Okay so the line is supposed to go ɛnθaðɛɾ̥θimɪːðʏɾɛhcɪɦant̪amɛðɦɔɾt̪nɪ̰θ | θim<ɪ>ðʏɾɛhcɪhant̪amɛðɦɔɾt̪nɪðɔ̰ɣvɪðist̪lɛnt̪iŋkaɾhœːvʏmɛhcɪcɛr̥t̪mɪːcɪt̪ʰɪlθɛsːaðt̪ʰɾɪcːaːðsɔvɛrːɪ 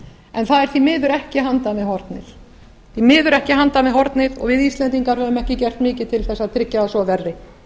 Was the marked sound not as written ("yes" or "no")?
yes